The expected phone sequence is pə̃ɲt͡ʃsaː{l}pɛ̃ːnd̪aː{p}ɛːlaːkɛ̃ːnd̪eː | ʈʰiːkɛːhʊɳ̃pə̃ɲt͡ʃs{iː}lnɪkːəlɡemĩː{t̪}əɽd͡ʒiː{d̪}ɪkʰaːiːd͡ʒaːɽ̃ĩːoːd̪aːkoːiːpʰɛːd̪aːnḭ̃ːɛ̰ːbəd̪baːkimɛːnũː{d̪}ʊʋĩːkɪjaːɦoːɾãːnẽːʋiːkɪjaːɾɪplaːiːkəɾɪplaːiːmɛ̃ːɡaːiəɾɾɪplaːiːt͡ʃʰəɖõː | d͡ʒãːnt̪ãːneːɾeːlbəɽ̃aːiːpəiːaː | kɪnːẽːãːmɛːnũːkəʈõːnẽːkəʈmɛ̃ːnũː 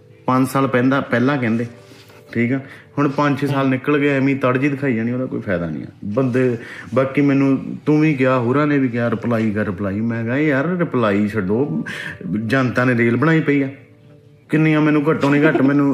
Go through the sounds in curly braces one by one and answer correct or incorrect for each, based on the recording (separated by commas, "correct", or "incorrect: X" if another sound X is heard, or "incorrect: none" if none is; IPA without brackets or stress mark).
correct, correct, incorrect: aː, correct, correct, incorrect: t̪